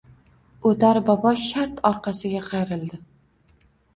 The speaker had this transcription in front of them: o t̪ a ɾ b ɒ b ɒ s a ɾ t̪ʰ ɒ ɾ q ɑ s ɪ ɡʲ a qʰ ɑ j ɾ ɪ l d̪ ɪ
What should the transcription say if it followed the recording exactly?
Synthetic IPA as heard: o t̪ a ɾ b ɒ b ɒ ʃ a ɾ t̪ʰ ɒ ɾ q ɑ s ɪ ɡʲ a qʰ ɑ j ɾ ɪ l d̪ ɪ